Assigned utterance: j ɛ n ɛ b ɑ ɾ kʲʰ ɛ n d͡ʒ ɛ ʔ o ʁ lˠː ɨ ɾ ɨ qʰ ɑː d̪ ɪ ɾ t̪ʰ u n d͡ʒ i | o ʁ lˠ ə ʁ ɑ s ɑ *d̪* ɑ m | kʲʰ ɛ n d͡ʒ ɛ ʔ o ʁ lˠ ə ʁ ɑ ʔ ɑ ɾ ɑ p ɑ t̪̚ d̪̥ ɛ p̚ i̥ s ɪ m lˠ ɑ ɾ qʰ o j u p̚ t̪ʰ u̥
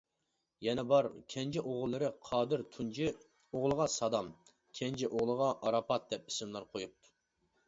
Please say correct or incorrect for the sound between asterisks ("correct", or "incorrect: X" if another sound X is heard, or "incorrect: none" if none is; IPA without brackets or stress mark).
correct